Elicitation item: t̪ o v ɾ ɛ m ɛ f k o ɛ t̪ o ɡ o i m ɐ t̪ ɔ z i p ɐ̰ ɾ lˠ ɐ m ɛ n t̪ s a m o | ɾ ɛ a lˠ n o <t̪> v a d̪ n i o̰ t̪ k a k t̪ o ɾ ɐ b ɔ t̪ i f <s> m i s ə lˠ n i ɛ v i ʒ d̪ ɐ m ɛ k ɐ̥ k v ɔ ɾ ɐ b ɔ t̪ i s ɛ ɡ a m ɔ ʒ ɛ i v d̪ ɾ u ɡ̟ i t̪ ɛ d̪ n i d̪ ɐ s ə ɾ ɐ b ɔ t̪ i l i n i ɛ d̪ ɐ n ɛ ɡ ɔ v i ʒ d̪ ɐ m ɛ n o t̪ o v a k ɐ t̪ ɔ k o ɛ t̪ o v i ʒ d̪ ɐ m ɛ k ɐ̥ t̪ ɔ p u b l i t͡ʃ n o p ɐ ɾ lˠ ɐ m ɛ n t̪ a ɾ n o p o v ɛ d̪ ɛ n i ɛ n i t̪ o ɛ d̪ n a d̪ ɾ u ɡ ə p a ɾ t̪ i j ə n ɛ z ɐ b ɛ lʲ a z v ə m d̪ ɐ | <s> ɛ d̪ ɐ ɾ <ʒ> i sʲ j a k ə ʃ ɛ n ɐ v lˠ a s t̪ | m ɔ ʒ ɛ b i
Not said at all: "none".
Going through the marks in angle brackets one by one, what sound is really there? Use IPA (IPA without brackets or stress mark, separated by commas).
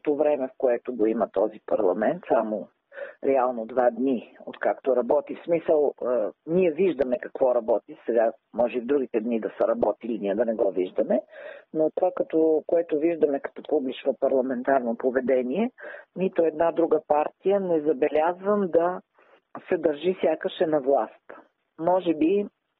d̪, s, s, ʒ